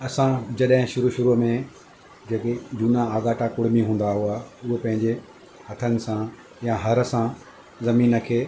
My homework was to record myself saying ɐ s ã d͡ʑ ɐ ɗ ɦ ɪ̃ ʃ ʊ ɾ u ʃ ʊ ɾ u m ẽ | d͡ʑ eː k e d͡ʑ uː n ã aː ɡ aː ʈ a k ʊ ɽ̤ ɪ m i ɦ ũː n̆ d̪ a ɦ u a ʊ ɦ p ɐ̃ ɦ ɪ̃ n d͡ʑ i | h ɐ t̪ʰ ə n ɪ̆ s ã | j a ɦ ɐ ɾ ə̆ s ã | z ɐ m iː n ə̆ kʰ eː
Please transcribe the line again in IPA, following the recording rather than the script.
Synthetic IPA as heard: ɐ s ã d͡ʑ ɐ ɗ ɦ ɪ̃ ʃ ʊ ɾ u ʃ ʊ ɾ u m ẽ | d͡ʑ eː k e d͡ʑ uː n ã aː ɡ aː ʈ a k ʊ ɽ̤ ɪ m i ɦ ũː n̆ d̪ a ɦ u a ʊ ɦ p ɐ̃ ɦ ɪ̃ ɲ d͡ʑ e | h ɐ t̪ʰ ə n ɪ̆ s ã | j a ɦ ɐ ɾ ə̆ s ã | z ɐ m iː n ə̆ kʰ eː